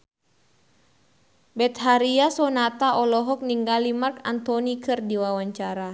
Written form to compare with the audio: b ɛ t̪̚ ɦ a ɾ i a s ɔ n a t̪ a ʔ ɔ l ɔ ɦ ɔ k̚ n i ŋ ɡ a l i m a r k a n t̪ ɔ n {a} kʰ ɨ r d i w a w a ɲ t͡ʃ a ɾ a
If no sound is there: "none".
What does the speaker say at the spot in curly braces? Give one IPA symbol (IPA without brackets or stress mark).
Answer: i